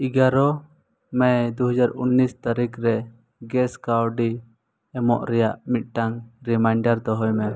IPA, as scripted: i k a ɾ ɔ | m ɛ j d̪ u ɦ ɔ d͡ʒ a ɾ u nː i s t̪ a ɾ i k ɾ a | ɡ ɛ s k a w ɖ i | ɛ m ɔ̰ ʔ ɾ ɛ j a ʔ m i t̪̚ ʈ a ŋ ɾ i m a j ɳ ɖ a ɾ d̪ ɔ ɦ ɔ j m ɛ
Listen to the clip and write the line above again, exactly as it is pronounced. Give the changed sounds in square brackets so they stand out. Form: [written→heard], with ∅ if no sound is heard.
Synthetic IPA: i [k→ɡ] a ɾ ɔ | m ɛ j d̪ u ɦ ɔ d͡ʒ a ɾ u nː i s t̪ a ɾ i k ɾ [a→ɛ] | ɡ ɛ s k a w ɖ i | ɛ m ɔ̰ ʔ ɾ ɛ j a ʔ m i t̪̚ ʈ a ŋ ɾ i m a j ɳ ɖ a ɾ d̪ ɔ ɦ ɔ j m ɛ